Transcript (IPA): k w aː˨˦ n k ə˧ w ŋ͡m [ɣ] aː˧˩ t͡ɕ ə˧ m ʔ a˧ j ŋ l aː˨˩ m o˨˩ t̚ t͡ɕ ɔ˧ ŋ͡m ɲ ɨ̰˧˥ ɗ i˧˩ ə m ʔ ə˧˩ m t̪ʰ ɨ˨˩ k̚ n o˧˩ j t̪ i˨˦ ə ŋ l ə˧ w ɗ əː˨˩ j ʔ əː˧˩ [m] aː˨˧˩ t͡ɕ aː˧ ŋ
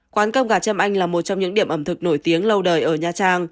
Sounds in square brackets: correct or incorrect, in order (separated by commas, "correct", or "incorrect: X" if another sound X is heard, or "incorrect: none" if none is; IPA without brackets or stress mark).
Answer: correct, incorrect: ɲ